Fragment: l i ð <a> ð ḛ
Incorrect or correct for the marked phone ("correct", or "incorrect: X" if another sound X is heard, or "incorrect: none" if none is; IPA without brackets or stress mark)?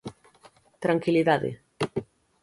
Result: correct